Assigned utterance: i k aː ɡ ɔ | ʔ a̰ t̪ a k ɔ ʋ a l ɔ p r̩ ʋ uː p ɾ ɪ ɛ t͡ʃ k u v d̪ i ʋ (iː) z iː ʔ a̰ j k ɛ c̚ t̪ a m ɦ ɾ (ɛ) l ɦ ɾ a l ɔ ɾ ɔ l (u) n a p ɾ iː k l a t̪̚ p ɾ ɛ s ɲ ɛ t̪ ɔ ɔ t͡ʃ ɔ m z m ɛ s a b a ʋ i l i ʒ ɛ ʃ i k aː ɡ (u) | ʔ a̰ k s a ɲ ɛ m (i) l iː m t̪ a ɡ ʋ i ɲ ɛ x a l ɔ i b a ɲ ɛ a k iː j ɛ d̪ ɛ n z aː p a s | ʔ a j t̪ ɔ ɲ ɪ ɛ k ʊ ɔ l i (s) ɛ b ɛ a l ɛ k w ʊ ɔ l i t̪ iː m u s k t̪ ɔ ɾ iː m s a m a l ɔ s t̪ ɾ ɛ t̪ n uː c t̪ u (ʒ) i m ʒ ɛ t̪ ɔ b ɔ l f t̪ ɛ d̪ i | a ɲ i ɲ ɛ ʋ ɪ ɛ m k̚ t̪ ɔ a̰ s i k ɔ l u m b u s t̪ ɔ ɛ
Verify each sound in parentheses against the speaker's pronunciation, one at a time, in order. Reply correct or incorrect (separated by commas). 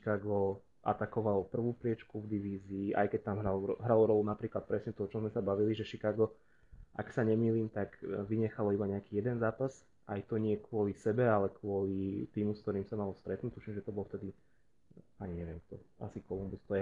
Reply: correct, incorrect, correct, incorrect, incorrect, correct, incorrect